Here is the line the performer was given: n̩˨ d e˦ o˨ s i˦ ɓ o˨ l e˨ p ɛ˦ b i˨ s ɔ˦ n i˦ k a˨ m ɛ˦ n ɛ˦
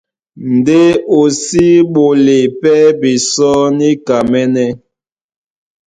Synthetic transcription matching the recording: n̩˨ d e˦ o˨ s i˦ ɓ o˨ l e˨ p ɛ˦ b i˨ s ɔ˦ n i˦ k a˨ m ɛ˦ n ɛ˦